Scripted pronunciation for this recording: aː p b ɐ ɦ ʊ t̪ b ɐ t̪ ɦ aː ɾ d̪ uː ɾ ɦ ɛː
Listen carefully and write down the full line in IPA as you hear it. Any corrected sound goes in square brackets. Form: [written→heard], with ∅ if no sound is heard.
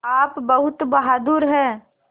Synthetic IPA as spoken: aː p b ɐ ɦ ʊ t̪ b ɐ [t̪→∅] ɦ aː [ɾ→∅] d̪ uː ɾ ɦ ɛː